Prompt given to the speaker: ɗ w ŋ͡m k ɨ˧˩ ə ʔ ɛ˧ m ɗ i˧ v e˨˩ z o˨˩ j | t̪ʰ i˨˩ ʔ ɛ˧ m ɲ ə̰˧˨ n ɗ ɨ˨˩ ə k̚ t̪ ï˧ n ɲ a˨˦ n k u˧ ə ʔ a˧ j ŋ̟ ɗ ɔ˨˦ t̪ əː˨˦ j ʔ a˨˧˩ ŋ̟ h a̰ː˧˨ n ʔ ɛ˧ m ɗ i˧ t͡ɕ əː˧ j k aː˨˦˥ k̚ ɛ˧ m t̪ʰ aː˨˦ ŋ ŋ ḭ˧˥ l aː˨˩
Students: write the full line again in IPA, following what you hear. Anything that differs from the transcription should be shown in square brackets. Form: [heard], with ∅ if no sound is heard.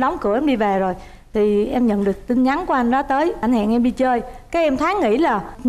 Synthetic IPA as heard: ɗ w ŋ͡m k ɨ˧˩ ə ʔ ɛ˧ m ɗ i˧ v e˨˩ z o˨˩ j | t̪ʰ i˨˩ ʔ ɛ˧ m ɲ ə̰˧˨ n ɗ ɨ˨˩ ə k̚ t̪ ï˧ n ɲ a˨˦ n k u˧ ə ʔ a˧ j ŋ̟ ɗ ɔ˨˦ t̪ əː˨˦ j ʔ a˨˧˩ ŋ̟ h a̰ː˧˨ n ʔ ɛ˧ m ɗ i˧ t͡ɕ əː˧ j k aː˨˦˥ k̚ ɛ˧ m t̪ʰ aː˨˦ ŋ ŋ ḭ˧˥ l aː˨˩